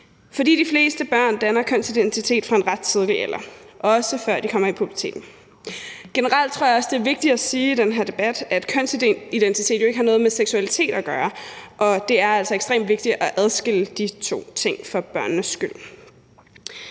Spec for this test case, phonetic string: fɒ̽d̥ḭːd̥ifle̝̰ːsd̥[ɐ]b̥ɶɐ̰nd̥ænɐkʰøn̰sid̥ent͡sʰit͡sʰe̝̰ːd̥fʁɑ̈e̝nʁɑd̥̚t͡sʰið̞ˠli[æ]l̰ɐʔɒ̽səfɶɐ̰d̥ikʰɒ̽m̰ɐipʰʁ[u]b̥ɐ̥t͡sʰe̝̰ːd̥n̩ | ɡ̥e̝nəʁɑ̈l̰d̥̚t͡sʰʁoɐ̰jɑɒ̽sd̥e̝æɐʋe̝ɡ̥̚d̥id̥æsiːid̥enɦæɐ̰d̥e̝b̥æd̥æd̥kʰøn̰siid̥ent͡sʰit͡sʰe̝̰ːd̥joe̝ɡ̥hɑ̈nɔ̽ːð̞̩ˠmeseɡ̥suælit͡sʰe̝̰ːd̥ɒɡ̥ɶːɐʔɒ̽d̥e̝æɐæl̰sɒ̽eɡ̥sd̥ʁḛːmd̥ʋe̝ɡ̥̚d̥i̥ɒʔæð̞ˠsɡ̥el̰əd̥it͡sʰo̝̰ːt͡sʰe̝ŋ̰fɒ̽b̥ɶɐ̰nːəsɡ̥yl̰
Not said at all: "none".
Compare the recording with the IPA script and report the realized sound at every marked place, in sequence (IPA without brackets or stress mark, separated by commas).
ə, e, u